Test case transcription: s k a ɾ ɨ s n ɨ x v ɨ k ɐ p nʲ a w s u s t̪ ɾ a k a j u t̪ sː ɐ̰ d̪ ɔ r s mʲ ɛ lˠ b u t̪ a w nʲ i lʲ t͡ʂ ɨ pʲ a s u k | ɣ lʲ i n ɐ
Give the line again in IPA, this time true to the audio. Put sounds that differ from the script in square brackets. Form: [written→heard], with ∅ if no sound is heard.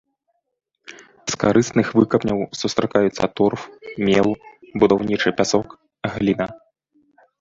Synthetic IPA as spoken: s k a ɾ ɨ s n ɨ x v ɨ k ɐ p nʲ [a→ɐ] w s u s t̪ ɾ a k a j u t̪ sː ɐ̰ [d̪→t̪] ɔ r [s→f] mʲ ɛ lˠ b u [t̪→d̪] a w nʲ i [lʲ→∅] t͡ʂ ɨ pʲ a s [u→ɔ] k | ɣ lʲ i n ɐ